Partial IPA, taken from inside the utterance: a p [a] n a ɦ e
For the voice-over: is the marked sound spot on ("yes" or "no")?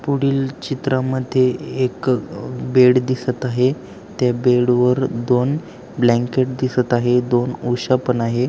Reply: no